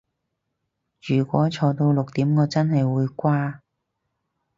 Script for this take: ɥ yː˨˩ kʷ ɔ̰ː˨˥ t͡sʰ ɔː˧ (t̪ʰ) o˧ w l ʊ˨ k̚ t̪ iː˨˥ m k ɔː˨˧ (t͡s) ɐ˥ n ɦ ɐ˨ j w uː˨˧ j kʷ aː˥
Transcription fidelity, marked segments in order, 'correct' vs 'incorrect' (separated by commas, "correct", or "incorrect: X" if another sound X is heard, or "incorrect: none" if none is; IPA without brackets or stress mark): incorrect: t̪, correct